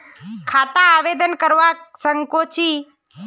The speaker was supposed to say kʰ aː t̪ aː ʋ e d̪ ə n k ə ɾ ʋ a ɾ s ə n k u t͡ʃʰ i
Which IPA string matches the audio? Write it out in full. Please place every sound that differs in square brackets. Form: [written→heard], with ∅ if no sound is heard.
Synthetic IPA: kʰ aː t̪ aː ʋ e d̪ ə n k ə ɾ ʋ a [ɾ→∅] s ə [n→ŋ] k [u→o] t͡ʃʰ i